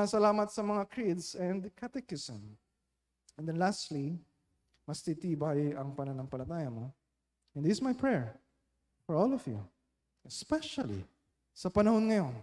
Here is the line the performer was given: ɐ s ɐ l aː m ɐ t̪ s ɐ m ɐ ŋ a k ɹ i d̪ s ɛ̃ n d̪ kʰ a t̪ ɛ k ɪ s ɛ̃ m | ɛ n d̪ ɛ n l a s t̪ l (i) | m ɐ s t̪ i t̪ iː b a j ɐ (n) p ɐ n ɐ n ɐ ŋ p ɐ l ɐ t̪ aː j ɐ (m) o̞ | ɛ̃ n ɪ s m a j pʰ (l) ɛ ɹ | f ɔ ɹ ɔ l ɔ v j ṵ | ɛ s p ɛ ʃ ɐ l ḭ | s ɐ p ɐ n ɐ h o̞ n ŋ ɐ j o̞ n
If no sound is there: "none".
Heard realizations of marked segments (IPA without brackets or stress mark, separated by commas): i, ŋ, m, ɹ